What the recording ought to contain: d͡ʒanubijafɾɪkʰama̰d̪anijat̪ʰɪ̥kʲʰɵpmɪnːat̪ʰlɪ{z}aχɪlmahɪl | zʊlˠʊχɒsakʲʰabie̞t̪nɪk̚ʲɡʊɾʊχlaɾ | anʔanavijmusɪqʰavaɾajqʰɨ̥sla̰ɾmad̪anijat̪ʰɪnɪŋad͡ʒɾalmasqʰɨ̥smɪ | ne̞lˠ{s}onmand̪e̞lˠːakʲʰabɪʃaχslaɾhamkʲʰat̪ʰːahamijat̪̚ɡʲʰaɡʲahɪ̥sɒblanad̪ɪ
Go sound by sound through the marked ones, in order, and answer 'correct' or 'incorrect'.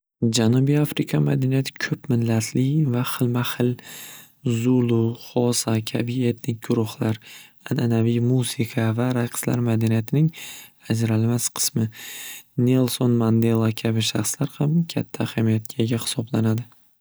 incorrect: v, correct

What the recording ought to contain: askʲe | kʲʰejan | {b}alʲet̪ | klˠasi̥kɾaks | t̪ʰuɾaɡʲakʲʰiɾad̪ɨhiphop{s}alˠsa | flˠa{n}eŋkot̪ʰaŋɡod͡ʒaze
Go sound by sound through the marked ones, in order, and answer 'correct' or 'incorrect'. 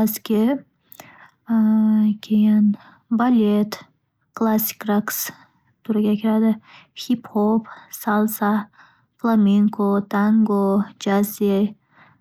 correct, correct, incorrect: m

